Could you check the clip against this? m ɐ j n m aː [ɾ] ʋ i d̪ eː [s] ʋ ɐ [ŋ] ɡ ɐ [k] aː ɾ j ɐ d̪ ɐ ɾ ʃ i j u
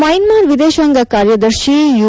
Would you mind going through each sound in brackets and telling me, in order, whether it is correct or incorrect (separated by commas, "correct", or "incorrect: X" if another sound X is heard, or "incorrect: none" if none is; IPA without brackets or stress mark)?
correct, incorrect: ʃ, correct, correct